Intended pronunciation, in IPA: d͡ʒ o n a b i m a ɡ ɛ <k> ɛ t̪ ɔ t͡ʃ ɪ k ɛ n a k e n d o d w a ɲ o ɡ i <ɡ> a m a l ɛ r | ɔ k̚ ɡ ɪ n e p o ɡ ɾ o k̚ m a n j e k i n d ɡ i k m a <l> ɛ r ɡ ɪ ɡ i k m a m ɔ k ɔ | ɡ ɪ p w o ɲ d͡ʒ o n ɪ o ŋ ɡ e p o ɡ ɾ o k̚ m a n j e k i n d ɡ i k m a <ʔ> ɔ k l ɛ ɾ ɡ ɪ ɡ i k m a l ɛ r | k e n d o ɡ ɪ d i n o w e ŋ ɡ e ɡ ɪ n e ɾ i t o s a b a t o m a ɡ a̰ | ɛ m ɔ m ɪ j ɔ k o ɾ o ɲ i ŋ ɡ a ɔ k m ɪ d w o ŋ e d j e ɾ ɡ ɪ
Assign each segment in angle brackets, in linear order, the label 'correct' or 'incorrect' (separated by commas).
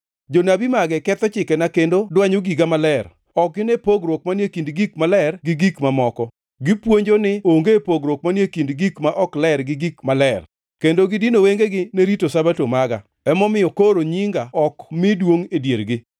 correct, correct, correct, correct